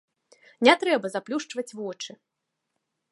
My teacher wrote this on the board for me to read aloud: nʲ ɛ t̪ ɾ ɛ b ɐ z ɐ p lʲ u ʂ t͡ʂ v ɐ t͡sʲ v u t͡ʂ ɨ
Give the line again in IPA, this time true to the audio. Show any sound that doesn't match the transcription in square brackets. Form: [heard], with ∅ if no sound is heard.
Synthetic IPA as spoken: nʲ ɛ t̪ ɾ ɛ b ɐ z [a] p lʲ u ʂ t͡ʂ v ɐ t͡sʲ v [ɔ] t͡ʂ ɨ